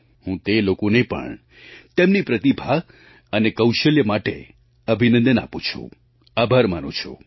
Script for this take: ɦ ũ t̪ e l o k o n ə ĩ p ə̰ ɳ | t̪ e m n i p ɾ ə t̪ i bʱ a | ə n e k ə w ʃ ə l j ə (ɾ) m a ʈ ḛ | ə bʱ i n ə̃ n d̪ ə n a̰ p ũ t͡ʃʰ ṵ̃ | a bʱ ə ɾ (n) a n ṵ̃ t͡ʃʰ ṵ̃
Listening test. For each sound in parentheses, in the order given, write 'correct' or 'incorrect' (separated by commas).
incorrect, incorrect